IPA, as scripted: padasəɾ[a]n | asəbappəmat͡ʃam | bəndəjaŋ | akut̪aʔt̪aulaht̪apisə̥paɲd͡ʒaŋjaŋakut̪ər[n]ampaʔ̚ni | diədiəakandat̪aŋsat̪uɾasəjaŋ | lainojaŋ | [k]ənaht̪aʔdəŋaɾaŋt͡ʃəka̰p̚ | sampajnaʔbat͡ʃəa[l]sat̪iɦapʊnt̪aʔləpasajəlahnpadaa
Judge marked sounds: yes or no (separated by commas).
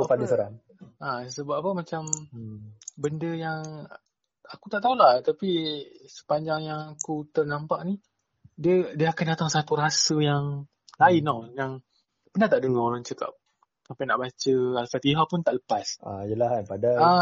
yes, yes, no, yes